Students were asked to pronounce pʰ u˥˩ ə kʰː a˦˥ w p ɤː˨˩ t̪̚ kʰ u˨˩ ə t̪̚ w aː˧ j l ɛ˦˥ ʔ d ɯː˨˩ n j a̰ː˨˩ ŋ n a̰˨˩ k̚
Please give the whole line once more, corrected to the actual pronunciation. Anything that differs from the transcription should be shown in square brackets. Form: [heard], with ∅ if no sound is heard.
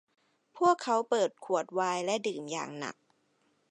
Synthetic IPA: pʰ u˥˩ ə kʰː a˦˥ w p ɤː˨˩ t̪̚ kʰ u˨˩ ə t̪̚ w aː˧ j l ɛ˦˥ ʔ d ɯː˨˩ [m] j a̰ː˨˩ ŋ n a̰˨˩ k̚

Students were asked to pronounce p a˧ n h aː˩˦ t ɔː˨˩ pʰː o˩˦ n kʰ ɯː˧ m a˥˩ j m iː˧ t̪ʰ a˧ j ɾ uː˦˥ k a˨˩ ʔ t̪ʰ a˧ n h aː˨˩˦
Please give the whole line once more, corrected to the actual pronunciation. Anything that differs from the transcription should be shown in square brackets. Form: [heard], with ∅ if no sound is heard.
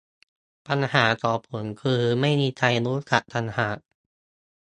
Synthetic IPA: p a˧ n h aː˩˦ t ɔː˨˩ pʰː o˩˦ n kʰ ɯː˧ m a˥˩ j m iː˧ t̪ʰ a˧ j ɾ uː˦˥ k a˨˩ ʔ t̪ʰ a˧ n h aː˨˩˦

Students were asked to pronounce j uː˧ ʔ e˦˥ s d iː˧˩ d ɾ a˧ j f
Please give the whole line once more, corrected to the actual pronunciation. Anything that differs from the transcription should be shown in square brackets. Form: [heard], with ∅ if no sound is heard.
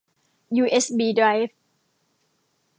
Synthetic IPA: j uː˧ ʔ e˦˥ s [b] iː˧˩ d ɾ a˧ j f

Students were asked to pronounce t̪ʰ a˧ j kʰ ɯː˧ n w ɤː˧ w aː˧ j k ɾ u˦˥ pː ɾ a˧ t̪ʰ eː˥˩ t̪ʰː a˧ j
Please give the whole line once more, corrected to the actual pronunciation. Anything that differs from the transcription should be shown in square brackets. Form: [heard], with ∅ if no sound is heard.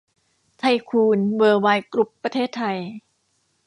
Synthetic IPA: t̪ʰ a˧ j kʰ [uː˧] n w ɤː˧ w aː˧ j k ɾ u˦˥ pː ɾ a˧ t̪ʰ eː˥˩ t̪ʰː a˧ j

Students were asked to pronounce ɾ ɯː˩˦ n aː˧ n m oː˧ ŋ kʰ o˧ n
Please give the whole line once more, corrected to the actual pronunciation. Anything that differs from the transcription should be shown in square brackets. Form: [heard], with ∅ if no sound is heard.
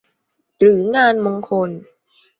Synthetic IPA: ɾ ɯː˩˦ [ŋ] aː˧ n m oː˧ ŋ kʰ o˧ n

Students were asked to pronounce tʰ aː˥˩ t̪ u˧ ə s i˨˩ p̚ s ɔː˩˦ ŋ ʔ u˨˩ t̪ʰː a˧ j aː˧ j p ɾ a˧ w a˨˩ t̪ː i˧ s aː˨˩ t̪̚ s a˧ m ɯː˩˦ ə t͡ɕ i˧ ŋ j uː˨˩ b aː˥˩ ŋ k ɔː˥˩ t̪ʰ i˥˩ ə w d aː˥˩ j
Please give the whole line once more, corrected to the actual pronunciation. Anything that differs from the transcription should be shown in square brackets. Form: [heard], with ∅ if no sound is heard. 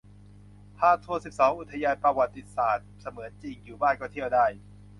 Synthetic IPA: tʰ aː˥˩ [t̪ʰ] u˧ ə s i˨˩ p̚ s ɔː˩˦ ŋ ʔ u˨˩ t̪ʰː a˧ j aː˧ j p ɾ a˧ w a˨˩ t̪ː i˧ s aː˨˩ t̪̚ s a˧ m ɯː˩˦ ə t͡ɕ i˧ ŋ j uː˨˩ b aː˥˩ [n] k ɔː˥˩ t̪ʰ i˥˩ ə w d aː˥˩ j

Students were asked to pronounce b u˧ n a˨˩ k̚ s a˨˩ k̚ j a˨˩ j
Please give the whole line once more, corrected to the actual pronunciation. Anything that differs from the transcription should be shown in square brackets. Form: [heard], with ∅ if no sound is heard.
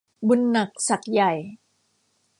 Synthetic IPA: b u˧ [nː] a˨˩ k̚ s a˨˩ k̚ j a˨˩ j

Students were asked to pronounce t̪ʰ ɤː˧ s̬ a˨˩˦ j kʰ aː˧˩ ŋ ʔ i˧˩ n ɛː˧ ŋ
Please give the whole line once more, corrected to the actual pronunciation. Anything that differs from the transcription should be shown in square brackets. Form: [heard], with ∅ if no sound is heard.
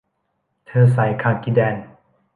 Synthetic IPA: t̪ʰ ɤː˧ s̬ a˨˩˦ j kʰ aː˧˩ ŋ [k] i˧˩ [d] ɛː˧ [n]

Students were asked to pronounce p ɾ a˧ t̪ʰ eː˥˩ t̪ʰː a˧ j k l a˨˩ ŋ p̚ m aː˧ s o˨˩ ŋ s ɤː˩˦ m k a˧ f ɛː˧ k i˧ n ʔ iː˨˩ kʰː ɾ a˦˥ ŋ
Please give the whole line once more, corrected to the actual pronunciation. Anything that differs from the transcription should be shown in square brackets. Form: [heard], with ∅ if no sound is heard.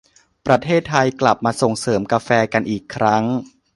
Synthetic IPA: p ɾ a˧ t̪ʰ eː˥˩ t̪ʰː a˧ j k l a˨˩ [∅] p̚ m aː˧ s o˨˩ ŋ s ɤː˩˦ m k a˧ f ɛː˧ k [a˧] n ʔ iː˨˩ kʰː ɾ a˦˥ ŋ

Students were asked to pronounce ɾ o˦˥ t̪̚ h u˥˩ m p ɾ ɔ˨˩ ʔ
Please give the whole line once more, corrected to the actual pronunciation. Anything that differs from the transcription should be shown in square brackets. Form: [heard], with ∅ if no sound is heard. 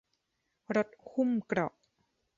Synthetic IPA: ɾ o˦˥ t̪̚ h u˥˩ m [k] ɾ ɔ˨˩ ʔ

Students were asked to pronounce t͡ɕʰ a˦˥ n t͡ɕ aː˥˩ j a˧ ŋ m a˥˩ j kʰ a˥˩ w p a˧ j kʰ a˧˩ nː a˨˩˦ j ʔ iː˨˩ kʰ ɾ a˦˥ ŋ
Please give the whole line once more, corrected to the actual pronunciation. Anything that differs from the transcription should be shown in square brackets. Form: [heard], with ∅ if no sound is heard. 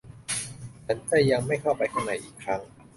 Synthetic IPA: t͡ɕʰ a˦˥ n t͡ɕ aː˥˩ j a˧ ŋ m a˥˩ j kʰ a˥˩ w p a˧ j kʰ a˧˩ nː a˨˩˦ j ʔ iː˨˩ kʰ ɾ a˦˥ ŋ

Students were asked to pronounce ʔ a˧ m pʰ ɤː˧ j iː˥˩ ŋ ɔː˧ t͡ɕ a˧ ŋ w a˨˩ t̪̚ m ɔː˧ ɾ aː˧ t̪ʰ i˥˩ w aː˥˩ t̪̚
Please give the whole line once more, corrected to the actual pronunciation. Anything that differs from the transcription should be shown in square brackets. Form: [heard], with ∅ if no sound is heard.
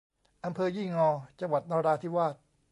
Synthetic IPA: ʔ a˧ m pʰ ɤː˧ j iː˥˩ ŋ ɔː˧ t͡ɕ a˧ ŋ w a˨˩ t̪̚ [n] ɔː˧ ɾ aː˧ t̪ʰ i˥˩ w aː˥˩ t̪̚

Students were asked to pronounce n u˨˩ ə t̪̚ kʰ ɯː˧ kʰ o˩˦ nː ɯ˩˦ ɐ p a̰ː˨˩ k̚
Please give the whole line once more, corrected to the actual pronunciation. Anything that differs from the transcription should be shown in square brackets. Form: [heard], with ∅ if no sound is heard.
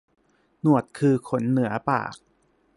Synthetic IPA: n u˨˩ ə t̪̚ kʰ ɯː˧ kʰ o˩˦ nː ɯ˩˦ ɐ p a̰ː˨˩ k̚

